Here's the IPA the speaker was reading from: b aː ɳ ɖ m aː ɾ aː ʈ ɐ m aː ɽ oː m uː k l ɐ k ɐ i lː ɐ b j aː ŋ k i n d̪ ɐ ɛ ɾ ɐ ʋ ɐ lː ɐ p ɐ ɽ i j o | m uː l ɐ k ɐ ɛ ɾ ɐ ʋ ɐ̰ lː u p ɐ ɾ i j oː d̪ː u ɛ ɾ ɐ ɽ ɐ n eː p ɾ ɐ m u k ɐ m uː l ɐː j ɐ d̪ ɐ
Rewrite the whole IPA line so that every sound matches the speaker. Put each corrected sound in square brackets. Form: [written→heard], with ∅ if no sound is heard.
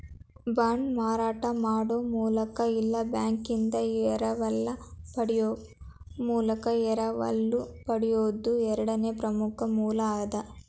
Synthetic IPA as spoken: b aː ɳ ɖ m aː ɾ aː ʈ ɐ m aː ɽ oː m uː [k→∅] l ɐ k ɐ i lː ɐ b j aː ŋ k i n d̪ ɐ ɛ ɾ ɐ ʋ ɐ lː ɐ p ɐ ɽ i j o | m uː l ɐ k ɐ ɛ ɾ ɐ ʋ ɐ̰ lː u p ɐ [ɾ→ɽ] i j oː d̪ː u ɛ ɾ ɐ ɽ ɐ n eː p ɾ ɐ m u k ɐ m uː l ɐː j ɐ d̪ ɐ